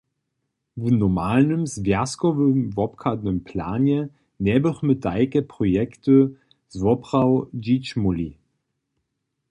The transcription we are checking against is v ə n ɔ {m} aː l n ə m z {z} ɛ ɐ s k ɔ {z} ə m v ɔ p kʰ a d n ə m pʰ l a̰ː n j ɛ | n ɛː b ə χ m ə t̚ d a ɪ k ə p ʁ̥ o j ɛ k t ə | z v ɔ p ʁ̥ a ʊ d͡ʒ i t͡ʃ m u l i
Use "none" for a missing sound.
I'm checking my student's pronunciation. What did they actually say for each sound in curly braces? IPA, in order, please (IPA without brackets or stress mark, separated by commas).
m, v, v